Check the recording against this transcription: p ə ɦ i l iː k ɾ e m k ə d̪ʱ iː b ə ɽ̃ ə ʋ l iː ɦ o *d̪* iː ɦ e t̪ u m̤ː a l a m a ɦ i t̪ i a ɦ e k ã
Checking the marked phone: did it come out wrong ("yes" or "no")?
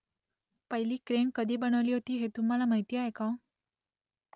yes